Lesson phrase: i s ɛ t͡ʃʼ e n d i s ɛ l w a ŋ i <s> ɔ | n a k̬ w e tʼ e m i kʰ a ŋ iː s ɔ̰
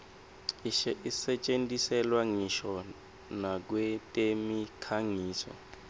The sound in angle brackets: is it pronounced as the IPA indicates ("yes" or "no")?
no